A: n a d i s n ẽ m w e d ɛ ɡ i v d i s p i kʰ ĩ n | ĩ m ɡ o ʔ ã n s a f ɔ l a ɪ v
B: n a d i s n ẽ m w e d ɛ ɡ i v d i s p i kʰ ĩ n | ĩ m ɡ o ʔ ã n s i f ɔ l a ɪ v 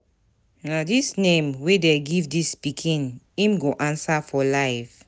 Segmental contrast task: A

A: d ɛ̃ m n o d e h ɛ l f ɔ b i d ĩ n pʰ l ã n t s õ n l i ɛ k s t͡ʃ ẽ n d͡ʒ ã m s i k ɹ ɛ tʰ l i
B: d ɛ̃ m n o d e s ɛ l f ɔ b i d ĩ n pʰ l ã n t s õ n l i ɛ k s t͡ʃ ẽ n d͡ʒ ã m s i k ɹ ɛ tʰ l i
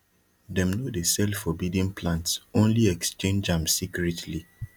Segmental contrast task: B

